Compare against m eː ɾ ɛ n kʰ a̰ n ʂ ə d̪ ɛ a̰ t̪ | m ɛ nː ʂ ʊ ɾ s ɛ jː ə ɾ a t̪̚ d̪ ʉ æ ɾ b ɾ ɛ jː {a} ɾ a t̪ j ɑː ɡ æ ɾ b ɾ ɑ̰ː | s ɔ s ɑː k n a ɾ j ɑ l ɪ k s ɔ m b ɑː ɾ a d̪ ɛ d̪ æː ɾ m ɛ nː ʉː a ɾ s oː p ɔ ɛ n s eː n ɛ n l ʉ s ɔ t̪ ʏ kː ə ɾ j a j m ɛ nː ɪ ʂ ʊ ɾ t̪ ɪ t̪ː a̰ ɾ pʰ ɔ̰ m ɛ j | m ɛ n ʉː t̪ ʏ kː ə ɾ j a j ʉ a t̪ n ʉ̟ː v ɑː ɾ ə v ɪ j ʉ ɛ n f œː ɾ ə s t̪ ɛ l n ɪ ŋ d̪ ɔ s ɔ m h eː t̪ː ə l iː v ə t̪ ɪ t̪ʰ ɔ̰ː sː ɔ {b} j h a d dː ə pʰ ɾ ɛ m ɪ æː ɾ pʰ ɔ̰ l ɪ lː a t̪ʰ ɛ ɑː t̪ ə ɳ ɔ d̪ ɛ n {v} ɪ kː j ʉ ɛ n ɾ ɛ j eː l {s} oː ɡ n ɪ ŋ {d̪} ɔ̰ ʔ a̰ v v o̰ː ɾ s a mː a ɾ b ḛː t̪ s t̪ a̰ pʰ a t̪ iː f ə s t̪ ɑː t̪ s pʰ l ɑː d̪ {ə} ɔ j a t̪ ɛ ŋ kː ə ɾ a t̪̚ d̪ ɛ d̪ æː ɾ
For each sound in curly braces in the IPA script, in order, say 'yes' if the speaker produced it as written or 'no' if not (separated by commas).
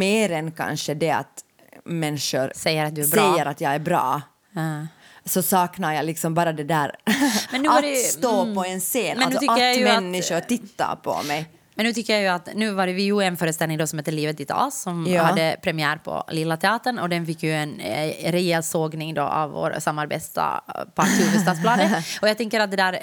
no, no, no, yes, yes, yes